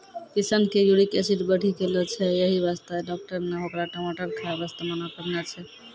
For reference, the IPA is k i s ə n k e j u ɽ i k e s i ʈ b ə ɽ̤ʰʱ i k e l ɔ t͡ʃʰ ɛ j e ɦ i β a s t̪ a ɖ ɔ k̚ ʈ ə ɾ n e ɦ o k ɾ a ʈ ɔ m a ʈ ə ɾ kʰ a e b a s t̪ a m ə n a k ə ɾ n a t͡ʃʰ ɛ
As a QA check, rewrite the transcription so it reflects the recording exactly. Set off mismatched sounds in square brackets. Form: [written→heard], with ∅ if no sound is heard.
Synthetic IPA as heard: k i s ə n k e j u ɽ i k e s i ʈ b ə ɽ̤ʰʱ i k e l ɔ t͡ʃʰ ɛ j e ɦ i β a s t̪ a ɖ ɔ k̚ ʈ ə ɾ n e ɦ o k ɾ a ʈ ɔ m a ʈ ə ɾ kʰ a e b a s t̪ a m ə n a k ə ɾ n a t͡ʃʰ ɛ